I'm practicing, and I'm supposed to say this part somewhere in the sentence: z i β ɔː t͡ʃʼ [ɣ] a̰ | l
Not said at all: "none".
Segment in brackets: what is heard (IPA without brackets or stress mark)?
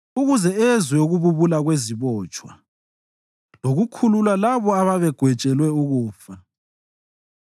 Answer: w